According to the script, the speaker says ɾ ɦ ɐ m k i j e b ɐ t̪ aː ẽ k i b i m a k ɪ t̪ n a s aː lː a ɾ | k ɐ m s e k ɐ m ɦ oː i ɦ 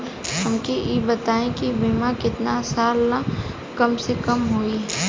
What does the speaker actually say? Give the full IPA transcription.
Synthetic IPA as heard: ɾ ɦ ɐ m k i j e b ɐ t̪ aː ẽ k i b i m a k ɪ t̪ n a s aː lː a | k ɐ m s e k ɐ m ɦ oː i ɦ